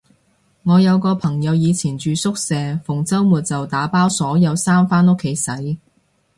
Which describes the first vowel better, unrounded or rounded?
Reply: rounded